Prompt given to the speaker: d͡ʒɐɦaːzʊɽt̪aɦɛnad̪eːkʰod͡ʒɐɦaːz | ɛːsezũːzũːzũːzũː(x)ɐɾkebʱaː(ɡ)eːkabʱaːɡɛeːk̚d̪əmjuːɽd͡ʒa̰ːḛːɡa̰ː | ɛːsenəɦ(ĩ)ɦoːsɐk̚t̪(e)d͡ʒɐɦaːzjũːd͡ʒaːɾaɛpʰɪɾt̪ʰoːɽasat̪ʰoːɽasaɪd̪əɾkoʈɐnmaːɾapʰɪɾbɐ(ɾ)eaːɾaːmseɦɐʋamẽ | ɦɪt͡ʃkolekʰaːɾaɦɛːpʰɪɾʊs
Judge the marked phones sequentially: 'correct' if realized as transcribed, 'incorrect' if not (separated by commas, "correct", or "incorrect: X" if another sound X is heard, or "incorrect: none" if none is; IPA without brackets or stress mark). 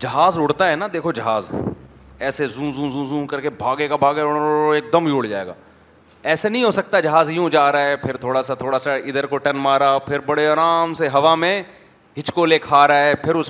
incorrect: k, correct, correct, incorrect: a, incorrect: ɽ